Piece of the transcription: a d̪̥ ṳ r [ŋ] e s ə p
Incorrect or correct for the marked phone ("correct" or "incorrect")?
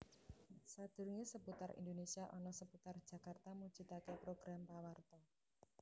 correct